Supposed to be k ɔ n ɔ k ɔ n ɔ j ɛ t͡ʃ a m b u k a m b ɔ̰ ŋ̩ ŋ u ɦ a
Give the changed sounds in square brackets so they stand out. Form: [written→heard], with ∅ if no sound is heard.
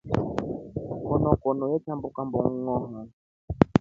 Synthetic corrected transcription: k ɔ n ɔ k ɔ n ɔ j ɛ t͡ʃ a m b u k a m b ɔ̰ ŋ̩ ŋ [u→ɔ] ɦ a